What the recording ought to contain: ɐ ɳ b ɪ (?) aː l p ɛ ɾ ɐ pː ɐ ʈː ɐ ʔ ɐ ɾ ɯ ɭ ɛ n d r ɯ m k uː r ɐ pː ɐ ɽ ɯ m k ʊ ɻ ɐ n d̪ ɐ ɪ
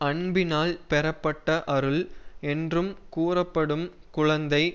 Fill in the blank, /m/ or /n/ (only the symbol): n